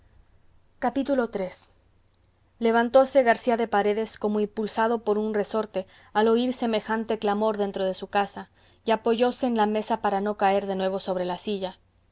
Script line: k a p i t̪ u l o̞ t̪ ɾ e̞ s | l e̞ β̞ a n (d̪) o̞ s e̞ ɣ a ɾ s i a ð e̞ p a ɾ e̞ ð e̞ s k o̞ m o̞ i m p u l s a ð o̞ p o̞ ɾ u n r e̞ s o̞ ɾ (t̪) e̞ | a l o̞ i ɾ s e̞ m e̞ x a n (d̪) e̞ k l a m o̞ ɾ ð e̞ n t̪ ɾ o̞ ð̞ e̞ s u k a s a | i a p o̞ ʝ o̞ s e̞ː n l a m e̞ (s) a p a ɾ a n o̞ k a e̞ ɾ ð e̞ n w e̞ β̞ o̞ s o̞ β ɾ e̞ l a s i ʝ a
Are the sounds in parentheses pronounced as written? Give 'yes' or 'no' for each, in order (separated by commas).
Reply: no, yes, no, yes